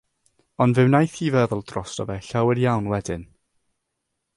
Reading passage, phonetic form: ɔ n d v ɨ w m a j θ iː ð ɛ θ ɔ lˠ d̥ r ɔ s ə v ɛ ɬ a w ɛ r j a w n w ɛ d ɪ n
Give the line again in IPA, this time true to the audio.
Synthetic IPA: ɔ n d v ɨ w n a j θ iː v ɛ ð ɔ lˠ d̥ r ɔ s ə v ɛ ɬ a w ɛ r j a w n w ɛ d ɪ n